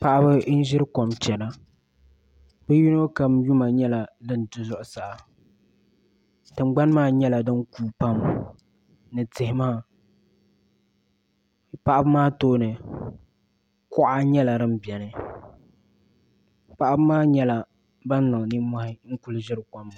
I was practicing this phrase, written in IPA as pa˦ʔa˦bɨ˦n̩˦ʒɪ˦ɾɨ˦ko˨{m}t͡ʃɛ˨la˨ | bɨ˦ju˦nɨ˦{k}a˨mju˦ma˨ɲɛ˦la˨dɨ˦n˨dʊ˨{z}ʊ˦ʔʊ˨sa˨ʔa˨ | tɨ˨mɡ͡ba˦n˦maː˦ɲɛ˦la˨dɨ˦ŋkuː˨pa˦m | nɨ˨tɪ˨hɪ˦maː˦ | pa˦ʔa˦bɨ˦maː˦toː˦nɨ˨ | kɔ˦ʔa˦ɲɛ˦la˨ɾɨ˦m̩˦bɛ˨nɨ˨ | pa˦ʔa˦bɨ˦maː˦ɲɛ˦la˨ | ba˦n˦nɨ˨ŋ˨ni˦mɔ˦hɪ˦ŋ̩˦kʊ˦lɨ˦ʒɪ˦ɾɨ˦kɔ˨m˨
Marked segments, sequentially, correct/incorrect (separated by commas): correct, correct, correct